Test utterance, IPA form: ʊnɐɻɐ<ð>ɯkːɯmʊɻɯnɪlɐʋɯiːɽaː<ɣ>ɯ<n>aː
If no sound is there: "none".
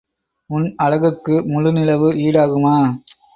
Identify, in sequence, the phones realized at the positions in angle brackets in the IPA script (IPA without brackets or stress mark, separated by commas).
ɣ, ɣ, m